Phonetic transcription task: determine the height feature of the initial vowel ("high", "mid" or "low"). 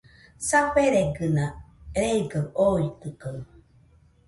low